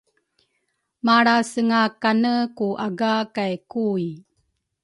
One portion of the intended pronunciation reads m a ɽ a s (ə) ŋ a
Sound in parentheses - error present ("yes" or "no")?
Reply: no